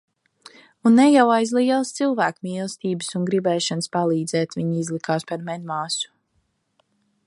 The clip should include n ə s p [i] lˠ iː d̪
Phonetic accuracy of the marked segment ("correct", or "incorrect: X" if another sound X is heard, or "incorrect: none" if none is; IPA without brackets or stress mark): incorrect: a